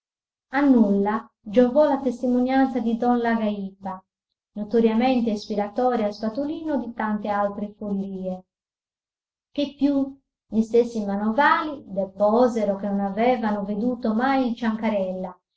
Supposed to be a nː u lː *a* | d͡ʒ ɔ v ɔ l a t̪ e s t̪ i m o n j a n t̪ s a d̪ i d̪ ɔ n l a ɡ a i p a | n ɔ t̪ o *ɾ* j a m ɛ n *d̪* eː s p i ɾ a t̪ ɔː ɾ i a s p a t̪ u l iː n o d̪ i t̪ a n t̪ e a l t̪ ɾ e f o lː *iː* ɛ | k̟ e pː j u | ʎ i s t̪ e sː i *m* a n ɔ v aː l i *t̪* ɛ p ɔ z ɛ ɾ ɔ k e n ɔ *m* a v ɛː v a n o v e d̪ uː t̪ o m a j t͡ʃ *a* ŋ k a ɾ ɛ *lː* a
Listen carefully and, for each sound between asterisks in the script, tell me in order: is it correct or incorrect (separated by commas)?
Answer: correct, correct, incorrect, correct, correct, incorrect, incorrect, correct, correct